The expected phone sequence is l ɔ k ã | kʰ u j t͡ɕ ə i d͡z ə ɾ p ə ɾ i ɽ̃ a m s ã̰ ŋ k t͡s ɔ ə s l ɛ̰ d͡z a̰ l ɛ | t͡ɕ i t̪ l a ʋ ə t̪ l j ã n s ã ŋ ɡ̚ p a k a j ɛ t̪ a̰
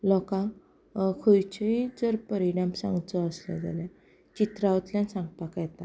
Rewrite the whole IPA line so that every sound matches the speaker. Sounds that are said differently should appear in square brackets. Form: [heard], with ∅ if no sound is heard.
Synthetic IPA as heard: l ɔ k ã | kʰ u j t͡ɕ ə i d͡z ə ɾ p ə ɾ i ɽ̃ a m s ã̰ ŋ [ɡ] t͡s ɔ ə s l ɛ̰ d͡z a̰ l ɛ | t͡ɕ i t̪ [ɾ] a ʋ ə t̪ l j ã n s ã ŋ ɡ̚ p a k a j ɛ t̪ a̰